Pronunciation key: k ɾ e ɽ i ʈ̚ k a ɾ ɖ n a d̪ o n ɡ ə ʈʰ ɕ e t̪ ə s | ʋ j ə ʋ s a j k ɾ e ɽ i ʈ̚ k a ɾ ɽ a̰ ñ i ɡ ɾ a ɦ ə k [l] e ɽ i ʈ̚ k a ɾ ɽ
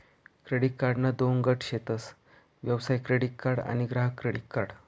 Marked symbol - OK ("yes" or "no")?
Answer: no